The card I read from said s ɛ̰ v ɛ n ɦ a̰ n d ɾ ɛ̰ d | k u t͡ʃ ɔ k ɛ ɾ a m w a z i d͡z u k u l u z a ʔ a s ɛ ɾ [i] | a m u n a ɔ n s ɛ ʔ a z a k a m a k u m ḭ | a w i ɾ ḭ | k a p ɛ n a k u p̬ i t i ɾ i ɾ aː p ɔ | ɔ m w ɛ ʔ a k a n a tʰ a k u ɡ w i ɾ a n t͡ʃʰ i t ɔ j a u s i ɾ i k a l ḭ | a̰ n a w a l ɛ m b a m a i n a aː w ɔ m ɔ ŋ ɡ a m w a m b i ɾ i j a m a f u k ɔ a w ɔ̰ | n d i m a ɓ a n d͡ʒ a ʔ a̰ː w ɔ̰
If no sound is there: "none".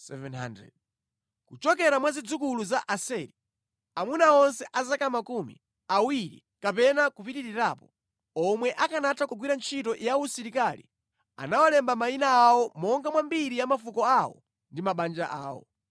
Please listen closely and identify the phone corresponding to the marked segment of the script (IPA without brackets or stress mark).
i